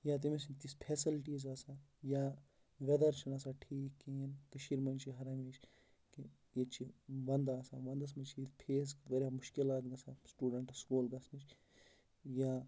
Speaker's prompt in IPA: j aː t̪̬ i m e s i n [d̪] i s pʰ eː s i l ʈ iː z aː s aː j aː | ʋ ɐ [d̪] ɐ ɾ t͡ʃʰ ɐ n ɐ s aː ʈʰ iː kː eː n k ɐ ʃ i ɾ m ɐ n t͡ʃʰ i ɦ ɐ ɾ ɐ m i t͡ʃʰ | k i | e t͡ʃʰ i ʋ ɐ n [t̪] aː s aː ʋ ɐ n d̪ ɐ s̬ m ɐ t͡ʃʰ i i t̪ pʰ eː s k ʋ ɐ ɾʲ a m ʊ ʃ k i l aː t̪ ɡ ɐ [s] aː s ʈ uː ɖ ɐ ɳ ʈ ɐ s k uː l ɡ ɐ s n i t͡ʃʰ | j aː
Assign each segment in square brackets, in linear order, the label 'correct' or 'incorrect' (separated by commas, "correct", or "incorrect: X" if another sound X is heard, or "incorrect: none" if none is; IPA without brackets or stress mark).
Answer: incorrect: t̪, correct, incorrect: d̪, correct